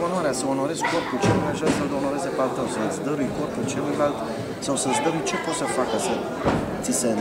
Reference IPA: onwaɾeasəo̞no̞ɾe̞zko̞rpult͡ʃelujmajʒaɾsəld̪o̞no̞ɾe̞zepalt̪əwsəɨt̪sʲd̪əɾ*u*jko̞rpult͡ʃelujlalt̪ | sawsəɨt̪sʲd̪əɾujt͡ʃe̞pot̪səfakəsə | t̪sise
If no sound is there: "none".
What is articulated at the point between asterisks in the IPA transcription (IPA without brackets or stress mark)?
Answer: u